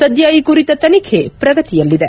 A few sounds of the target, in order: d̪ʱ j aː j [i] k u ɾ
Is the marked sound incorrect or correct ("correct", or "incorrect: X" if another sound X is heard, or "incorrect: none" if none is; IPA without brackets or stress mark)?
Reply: correct